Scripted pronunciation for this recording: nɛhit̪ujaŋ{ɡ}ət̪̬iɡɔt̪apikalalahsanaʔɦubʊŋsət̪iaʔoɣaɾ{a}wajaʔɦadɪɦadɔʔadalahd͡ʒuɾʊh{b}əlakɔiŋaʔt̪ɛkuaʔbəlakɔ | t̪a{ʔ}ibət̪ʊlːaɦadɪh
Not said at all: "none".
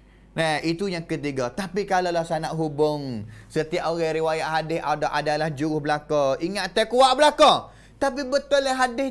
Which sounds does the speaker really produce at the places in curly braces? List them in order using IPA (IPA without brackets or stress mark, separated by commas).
k, i, b, p